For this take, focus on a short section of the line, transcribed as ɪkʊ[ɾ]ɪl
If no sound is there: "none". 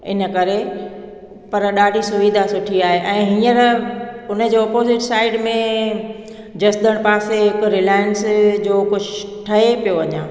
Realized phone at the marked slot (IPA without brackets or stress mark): ɾ